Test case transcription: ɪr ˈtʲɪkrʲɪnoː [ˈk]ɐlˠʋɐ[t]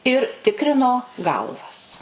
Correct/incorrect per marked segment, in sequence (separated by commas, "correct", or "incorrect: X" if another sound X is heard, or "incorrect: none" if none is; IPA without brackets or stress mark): incorrect: ɡ, incorrect: s